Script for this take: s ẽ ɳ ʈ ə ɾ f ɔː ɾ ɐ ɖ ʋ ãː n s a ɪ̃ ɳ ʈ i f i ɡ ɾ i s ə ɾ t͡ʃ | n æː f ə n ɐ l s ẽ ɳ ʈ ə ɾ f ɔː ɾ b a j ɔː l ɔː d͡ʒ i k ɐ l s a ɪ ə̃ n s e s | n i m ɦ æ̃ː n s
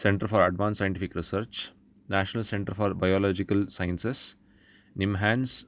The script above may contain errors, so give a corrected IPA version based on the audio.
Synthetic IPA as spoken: s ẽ ɳ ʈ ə ɾ f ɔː ɾ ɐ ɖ ʋ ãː n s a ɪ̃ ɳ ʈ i f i k ɾ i s ə ɾ t͡ʃ | n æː ʃ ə n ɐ l s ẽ ɳ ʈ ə ɾ f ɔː ɾ b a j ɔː l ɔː d͡ʒ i k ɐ l s a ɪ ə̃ n s e s | n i m ɦ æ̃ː n s